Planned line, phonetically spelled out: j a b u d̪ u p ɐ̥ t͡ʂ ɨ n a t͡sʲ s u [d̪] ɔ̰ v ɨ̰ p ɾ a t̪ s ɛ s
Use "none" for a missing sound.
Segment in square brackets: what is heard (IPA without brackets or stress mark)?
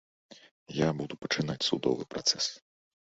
d̪